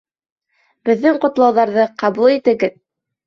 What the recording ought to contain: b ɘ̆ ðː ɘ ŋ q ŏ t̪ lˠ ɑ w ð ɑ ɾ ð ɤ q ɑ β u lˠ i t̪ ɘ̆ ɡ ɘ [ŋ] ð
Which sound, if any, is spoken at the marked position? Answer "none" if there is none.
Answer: none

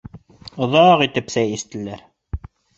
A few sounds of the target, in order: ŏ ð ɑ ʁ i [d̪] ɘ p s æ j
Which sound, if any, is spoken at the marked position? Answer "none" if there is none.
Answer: t̪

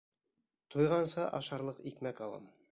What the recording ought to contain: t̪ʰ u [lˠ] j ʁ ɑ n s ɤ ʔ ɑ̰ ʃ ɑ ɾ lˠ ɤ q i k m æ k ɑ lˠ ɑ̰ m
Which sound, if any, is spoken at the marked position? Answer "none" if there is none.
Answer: none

